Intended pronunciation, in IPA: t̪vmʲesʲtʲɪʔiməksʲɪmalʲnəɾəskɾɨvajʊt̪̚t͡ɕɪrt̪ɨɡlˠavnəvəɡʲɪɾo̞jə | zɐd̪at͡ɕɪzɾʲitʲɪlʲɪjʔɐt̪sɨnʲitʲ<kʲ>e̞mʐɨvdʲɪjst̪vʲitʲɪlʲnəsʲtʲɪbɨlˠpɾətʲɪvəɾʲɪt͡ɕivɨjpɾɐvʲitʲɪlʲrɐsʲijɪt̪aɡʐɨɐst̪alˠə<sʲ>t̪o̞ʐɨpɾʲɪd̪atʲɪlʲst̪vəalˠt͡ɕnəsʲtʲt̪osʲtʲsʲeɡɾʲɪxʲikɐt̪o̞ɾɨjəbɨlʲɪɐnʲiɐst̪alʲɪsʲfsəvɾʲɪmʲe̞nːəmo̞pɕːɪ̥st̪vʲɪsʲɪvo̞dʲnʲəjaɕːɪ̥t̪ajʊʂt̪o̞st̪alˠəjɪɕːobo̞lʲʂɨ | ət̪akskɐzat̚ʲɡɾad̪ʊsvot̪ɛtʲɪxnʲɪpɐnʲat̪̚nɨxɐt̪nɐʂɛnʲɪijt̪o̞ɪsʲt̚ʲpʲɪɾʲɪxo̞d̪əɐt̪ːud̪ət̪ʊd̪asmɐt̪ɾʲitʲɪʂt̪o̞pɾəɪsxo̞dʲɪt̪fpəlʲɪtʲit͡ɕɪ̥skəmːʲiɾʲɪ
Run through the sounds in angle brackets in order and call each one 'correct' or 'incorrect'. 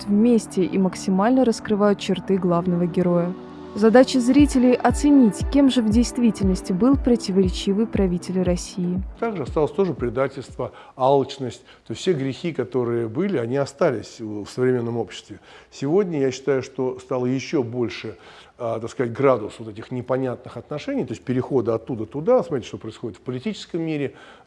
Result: correct, correct

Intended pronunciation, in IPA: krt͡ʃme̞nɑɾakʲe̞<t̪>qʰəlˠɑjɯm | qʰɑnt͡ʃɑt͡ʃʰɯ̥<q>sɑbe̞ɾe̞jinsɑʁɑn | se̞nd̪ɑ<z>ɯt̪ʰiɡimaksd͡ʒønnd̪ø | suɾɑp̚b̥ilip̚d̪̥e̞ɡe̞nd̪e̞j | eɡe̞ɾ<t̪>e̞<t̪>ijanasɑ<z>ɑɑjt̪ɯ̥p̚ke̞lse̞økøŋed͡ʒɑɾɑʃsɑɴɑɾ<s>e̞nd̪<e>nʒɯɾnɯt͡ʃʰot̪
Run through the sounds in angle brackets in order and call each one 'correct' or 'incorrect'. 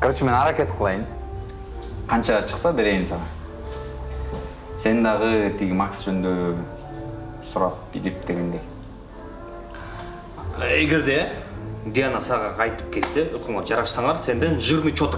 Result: correct, correct, incorrect, incorrect, incorrect, incorrect, correct, correct

